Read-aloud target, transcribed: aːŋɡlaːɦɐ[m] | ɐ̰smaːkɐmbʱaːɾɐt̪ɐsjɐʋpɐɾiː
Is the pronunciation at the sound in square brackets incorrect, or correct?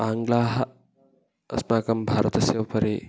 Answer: incorrect